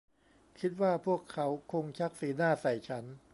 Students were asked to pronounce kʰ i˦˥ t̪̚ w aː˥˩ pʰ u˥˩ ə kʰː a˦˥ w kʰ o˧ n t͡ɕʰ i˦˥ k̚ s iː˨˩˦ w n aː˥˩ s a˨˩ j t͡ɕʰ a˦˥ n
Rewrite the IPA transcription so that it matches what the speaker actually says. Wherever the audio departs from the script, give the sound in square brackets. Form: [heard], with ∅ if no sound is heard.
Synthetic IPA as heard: kʰ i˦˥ t̪̚ w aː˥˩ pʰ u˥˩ ə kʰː a˦˥ w kʰ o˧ [ŋ] t͡ɕʰ [a˦˥] k̚ s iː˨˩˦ [∅] n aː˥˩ s a˨˩ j t͡ɕʰ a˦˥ n